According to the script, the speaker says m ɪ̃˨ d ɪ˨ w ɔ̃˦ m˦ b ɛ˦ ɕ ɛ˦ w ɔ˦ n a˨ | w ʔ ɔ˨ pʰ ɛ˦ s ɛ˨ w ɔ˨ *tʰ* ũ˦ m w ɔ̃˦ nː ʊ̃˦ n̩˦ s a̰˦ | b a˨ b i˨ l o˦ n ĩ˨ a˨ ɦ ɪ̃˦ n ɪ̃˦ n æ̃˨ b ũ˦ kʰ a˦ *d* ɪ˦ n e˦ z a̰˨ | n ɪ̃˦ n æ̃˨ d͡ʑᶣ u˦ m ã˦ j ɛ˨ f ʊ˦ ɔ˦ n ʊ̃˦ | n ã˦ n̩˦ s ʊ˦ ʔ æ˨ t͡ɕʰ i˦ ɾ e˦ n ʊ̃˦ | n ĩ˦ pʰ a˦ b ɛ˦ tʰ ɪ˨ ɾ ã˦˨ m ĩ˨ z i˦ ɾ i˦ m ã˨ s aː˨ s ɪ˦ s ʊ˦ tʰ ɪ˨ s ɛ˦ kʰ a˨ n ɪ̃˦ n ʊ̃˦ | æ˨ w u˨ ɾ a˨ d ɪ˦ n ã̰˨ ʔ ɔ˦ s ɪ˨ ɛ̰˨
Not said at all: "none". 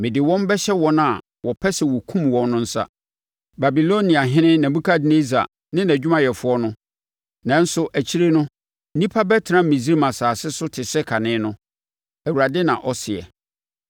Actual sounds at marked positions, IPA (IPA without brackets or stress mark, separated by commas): kʰ, d